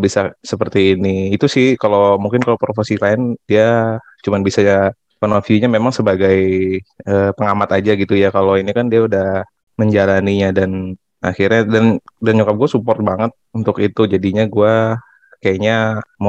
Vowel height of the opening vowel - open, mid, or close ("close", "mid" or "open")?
close